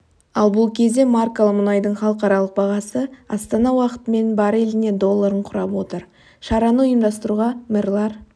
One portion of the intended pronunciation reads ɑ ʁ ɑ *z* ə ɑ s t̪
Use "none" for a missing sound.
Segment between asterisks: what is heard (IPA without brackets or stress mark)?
s